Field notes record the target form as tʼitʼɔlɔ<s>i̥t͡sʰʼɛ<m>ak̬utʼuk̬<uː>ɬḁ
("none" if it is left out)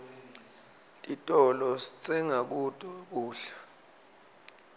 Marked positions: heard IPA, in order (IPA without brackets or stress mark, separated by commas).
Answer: s, ŋ, uː